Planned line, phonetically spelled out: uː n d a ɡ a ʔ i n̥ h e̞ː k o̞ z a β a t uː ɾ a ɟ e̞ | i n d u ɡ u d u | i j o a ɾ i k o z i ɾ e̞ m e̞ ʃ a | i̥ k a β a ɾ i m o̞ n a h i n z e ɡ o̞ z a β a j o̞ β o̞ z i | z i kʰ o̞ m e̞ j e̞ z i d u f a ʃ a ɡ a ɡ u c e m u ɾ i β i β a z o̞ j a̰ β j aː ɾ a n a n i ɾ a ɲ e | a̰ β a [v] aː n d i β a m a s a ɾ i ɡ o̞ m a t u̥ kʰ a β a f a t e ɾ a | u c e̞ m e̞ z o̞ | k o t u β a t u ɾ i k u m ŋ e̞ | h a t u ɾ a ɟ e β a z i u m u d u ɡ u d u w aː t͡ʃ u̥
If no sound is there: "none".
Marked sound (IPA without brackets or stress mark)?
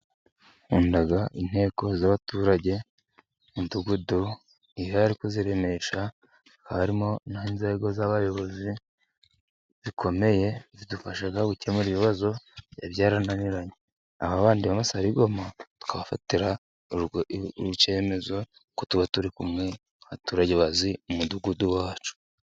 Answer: β